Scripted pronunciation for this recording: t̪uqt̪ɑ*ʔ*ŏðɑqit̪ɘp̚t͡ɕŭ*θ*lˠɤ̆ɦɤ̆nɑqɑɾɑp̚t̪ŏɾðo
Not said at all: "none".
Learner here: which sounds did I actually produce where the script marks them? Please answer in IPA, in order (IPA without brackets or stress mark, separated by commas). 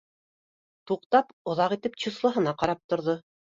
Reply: p, s